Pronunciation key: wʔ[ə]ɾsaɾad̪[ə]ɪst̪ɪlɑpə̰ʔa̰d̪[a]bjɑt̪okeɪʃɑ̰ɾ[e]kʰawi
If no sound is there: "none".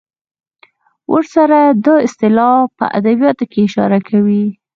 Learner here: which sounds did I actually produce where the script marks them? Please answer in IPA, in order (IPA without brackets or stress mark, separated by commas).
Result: ə, ɑ, a, a